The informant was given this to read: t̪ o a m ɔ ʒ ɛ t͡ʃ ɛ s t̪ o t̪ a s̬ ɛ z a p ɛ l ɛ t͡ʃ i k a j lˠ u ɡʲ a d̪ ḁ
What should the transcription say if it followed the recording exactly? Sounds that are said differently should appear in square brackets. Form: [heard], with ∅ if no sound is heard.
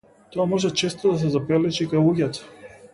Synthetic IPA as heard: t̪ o a m ɔ ʒ ɛ t͡ʃ ɛ s t̪ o [d̪] a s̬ ɛ z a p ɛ l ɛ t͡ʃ i k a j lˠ u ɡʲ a [t̪] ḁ